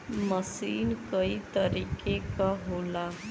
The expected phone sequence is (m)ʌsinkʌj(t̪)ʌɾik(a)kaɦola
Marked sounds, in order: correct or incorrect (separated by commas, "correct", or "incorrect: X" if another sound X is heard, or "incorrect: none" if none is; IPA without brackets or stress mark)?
correct, correct, incorrect: e